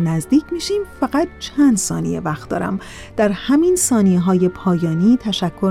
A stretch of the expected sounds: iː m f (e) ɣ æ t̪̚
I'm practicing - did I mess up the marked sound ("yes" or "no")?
yes